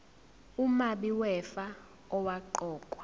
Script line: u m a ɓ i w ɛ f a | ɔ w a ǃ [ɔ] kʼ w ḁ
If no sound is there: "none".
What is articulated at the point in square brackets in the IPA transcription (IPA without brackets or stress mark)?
ɔː